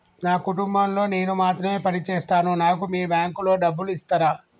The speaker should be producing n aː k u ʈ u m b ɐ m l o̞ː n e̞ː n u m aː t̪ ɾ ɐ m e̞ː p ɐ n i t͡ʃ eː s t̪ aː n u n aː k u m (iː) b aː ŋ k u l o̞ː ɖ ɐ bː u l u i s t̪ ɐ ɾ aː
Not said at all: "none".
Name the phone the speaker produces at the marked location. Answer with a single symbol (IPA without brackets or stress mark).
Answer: iː